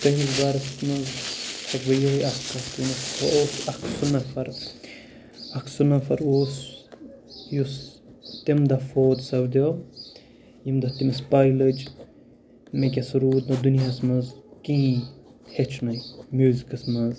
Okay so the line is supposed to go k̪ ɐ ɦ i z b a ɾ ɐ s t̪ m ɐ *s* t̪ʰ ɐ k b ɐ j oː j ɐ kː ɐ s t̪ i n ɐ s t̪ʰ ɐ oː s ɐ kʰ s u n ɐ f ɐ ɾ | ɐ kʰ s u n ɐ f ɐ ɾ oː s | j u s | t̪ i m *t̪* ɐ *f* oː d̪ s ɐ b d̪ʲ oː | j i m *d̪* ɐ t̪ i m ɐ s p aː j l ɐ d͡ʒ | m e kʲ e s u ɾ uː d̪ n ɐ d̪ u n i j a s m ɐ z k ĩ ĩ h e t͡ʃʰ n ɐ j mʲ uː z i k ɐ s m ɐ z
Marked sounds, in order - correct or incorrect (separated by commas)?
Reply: incorrect, incorrect, correct, correct